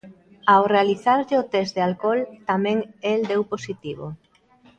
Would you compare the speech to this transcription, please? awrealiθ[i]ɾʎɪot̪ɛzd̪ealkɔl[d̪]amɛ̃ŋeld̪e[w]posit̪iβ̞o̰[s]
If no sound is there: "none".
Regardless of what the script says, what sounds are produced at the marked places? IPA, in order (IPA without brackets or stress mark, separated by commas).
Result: a, t̪, w, none